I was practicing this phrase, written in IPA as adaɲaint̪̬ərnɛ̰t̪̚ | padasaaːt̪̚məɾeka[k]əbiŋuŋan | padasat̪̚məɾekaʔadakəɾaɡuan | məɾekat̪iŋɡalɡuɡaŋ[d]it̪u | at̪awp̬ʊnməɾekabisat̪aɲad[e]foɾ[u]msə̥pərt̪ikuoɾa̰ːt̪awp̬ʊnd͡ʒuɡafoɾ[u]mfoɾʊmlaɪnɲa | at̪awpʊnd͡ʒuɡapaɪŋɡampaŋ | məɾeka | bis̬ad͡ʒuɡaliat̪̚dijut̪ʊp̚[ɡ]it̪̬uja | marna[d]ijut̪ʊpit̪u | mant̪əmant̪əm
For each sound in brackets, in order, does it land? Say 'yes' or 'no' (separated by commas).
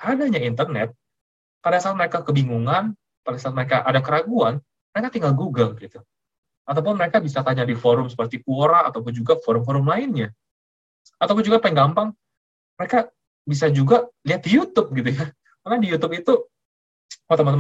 yes, no, no, no, no, yes, yes